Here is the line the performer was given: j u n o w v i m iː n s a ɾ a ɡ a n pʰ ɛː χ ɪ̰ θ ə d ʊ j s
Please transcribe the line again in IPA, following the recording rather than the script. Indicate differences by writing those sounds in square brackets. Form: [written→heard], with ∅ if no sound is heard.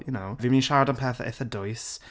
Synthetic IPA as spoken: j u n o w v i m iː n [s→ʃ] a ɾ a [ɡ→d] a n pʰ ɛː [χ→θ] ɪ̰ θ ə d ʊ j s